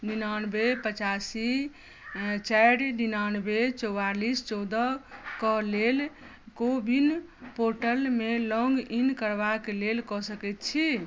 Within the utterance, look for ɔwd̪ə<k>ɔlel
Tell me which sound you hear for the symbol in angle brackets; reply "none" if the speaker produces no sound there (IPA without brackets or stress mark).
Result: k